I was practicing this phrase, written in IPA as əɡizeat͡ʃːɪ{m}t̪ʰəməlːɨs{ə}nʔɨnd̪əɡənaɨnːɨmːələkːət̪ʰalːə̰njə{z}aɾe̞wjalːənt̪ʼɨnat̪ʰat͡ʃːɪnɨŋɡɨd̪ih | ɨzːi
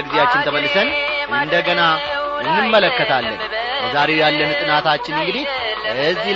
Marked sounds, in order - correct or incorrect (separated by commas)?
incorrect, correct, correct